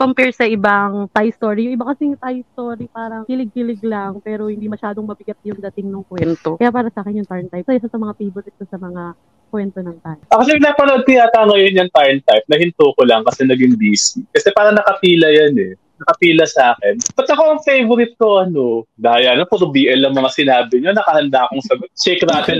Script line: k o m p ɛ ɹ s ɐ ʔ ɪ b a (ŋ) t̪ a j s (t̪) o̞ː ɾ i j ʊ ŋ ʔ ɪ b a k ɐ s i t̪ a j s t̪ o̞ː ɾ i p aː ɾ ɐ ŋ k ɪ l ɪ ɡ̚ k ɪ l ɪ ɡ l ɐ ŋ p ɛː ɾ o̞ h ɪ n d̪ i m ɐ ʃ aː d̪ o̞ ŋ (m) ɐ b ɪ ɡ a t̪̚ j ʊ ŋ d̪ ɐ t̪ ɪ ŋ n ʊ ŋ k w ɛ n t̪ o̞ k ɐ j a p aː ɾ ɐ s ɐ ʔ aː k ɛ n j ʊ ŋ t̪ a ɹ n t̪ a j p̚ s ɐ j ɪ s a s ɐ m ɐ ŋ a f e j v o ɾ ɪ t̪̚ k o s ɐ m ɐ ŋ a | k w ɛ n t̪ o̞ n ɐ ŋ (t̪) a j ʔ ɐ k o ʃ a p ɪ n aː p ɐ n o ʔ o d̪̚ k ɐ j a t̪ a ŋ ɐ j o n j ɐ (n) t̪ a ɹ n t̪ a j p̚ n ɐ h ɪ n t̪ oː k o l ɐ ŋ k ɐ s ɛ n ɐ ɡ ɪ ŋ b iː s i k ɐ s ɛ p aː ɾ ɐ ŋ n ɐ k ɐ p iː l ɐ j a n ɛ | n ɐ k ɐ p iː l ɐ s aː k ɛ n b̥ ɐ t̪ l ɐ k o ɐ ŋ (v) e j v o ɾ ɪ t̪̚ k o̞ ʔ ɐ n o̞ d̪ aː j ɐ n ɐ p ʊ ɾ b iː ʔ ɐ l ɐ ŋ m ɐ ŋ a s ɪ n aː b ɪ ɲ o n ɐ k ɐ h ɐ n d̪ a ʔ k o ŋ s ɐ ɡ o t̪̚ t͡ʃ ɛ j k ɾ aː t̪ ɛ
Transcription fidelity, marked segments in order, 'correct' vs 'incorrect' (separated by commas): correct, correct, correct, correct, incorrect, incorrect